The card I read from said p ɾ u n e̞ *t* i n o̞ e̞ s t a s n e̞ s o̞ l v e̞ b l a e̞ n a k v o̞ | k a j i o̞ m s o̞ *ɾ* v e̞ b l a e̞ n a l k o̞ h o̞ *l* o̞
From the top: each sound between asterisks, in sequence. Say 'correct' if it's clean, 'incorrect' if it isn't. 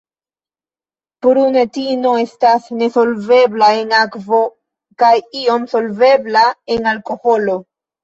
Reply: correct, incorrect: l, correct

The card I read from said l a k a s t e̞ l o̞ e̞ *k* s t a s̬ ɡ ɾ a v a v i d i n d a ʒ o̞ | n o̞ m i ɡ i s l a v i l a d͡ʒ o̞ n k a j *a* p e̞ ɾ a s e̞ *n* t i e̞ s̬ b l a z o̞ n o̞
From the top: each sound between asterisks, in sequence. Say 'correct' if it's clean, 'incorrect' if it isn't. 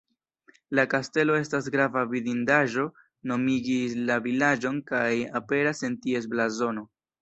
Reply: incorrect: none, correct, correct

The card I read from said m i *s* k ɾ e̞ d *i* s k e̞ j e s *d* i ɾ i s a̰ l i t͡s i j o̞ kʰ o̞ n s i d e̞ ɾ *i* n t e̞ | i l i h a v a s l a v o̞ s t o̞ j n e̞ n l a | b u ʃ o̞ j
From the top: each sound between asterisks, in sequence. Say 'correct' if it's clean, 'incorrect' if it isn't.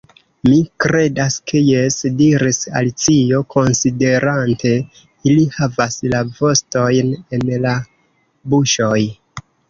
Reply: incorrect: none, incorrect: a, correct, incorrect: a

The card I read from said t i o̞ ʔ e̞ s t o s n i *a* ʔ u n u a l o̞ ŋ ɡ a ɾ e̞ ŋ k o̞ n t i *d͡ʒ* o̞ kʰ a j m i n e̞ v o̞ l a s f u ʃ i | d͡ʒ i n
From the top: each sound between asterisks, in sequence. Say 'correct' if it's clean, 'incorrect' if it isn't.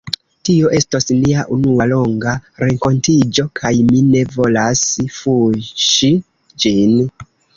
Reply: correct, correct

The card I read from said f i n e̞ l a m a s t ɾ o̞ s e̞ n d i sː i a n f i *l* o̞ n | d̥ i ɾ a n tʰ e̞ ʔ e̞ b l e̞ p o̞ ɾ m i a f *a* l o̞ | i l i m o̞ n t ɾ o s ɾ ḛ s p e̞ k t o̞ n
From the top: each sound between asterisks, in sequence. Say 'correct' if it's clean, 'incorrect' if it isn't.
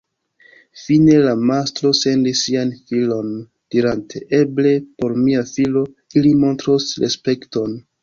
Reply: correct, incorrect: i

